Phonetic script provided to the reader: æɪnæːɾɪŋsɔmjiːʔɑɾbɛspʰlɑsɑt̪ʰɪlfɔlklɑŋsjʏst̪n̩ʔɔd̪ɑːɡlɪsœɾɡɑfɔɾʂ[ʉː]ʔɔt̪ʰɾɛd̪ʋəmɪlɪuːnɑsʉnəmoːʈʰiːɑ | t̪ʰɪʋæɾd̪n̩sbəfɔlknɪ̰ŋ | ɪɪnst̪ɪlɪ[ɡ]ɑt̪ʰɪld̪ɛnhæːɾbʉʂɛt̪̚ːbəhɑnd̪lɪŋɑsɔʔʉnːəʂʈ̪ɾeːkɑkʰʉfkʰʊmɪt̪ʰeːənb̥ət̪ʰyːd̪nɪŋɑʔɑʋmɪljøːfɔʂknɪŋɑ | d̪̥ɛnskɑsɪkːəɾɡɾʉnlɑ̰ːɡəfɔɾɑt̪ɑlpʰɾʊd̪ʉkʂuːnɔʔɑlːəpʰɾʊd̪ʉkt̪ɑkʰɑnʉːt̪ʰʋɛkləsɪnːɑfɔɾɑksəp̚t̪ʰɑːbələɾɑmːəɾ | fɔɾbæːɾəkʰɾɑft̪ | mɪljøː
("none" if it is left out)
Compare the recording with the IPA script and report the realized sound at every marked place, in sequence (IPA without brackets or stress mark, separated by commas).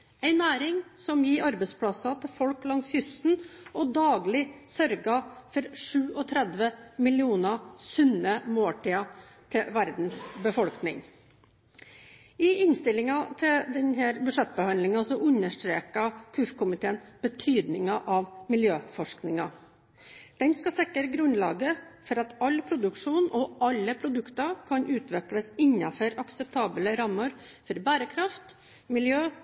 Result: ʉː, ŋ